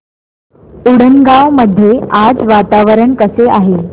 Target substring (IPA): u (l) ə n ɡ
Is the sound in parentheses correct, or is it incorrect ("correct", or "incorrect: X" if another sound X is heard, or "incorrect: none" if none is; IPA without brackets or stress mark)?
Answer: incorrect: ɽ